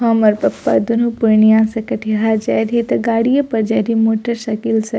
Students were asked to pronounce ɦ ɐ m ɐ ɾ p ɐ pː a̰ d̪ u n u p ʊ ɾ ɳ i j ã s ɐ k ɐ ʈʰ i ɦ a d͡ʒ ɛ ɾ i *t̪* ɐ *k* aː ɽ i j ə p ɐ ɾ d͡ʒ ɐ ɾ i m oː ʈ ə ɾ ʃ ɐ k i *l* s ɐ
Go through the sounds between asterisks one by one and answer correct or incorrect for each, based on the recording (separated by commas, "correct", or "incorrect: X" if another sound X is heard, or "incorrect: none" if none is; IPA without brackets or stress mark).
correct, incorrect: ɡ, correct